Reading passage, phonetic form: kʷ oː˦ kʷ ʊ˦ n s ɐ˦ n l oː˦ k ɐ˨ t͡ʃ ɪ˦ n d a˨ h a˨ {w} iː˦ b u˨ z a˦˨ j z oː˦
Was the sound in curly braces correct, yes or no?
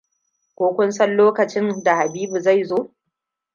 no